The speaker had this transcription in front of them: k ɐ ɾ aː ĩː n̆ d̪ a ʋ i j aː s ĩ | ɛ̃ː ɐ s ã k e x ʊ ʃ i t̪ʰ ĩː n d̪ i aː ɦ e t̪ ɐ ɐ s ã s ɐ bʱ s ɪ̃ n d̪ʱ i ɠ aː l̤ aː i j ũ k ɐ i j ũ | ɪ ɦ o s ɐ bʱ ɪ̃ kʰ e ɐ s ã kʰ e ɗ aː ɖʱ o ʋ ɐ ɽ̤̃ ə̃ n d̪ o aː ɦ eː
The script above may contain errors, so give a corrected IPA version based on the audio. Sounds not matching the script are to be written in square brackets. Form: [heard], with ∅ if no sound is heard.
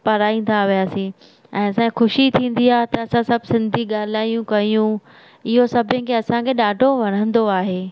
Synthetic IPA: [p] ɐ ɾ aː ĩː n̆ d̪ a ʋ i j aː s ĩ | ɛ̃ː ɐ s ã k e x ʊ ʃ i t̪ʰ ĩː n d̪ i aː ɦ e t̪ ɐ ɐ s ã s ɐ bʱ s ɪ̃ n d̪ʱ i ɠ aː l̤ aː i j ũ k ɐ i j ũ | ɪ ɦ o s ɐ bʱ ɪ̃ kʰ e ɐ s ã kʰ e ɗ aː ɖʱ o ʋ ɐ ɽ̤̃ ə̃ n d̪ o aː ɦ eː